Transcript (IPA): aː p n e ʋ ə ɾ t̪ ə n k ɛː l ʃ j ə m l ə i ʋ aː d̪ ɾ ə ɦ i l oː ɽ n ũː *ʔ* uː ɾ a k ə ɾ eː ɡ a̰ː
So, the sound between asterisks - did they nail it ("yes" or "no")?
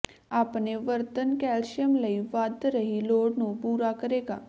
no